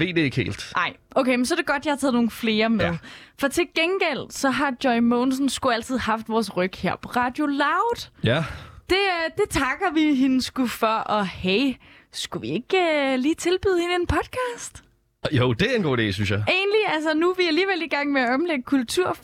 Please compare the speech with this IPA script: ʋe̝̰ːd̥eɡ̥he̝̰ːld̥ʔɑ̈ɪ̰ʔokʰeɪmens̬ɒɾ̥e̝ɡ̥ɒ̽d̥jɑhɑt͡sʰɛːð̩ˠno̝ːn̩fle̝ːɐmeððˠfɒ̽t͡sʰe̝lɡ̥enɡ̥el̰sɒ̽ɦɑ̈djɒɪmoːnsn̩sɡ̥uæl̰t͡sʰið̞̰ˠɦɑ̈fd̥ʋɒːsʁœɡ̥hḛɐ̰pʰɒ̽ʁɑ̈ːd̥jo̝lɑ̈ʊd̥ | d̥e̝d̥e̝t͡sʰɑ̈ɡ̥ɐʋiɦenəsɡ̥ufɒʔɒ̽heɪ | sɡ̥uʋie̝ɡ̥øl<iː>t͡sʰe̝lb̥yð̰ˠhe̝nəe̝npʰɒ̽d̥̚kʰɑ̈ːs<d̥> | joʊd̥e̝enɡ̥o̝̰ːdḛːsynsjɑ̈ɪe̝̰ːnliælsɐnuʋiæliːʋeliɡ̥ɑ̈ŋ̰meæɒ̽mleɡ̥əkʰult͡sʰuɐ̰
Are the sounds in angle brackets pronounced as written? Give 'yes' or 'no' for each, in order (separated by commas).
yes, yes